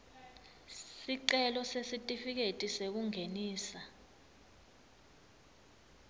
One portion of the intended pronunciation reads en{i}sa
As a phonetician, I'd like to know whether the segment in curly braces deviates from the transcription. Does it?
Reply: yes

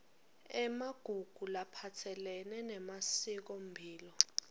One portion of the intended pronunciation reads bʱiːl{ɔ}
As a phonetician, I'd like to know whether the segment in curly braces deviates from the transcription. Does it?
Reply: no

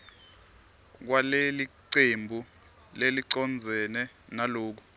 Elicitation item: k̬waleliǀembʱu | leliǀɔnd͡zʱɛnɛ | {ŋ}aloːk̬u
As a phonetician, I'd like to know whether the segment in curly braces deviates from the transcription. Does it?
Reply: yes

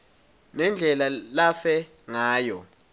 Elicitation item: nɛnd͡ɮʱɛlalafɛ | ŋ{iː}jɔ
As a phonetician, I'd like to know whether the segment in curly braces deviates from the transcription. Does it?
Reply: yes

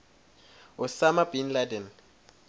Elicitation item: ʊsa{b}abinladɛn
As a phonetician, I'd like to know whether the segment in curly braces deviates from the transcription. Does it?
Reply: yes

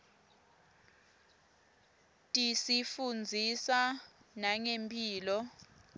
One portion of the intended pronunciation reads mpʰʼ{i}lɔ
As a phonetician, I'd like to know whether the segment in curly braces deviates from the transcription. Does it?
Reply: yes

